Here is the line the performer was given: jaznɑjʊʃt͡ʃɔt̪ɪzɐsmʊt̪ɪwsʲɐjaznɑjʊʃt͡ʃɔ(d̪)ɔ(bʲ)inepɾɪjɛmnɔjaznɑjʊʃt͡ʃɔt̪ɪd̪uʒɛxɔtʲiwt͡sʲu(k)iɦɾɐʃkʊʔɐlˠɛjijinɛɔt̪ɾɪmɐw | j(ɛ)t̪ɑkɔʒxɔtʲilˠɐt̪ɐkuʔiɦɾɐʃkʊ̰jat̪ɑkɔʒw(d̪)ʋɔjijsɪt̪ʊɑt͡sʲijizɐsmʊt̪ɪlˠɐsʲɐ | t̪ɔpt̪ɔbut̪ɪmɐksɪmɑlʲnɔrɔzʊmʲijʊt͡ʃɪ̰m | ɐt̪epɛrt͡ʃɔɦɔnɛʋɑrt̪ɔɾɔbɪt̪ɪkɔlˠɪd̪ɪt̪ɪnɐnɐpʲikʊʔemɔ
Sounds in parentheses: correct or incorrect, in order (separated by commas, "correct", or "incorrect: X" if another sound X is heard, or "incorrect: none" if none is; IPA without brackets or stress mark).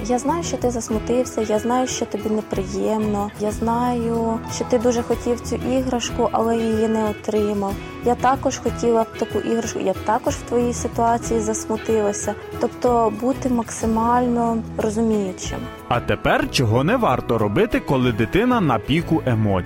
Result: incorrect: t̪, correct, incorrect: ʔ, incorrect: a, incorrect: t̪